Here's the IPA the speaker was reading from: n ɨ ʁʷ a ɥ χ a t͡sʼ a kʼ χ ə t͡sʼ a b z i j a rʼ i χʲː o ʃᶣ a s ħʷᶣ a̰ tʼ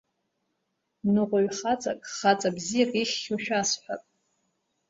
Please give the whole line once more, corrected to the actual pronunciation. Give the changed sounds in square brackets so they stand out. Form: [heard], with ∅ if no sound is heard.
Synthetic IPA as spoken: n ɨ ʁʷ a ɥ χ a t͡sʼ a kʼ χ [a] t͡sʼ a b z i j a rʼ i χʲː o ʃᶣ a s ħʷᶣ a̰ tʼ